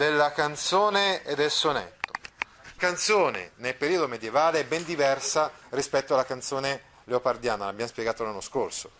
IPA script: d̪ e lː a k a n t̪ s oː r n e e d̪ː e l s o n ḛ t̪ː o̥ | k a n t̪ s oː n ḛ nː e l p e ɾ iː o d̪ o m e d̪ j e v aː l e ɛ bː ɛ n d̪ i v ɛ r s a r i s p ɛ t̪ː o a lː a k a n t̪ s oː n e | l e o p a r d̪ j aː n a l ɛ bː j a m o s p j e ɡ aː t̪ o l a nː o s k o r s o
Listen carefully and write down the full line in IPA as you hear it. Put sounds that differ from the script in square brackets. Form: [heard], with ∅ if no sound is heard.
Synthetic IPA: d̪ e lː a k a n t̪ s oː [∅] n e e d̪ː e l s o n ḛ t̪ː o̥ | k a n t̪ s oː n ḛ [n] e l p e ɾ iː o d̪ o m e d̪ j e v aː l e ɛ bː ɛ n d̪ i v ɛ r s a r i s p ɛ t̪ː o a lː a k a n t̪ s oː n e | l e o p a r d̪ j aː n a l [a] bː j a m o s p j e ɡ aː t̪ o l a nː o s k o r s o